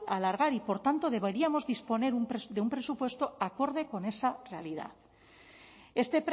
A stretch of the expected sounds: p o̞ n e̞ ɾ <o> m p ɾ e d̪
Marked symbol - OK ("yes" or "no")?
no